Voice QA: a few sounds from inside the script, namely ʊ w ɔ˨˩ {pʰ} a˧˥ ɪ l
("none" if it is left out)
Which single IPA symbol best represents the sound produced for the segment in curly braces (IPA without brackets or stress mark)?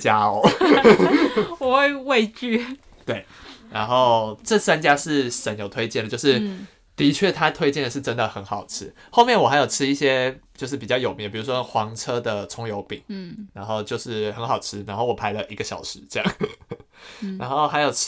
pʰ